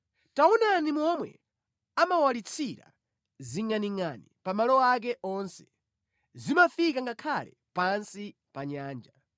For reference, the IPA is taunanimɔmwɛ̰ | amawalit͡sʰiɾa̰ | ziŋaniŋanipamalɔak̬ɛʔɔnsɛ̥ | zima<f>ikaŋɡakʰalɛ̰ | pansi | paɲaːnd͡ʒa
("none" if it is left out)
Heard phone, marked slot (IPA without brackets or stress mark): f